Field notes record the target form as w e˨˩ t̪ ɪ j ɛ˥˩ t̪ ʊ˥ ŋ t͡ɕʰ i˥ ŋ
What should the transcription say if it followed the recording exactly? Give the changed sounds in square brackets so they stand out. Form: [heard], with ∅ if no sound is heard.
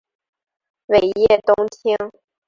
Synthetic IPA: w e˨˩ [∅] ɪ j ɛ˥˩ t̪ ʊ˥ ŋ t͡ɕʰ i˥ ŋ